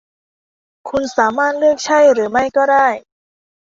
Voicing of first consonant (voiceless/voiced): voiceless